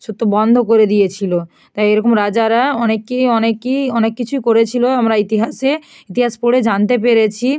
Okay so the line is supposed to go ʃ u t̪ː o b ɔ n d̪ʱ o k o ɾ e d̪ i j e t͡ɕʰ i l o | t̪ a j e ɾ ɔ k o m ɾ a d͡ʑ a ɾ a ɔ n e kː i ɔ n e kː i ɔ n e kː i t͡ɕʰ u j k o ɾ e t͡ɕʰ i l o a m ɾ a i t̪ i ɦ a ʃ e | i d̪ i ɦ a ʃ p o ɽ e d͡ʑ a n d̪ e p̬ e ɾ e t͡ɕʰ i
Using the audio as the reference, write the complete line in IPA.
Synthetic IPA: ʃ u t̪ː o b ɔ n d̪ʱ o k o ɾ e d̪ i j e t͡ɕʰ i l o | t̪ a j e ɾ ɔ k o m ɾ a d͡ʑ a ɾ a ɔ n e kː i ɔ n e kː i ɔ n e kː i t͡ɕʰ u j k o ɾ e t͡ɕʰ i l o a m ɾ a i t̪ i ɦ a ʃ e | i t̪ i ɦ a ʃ p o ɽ e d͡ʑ a n t̪ e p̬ e ɾ e t͡ɕʰ i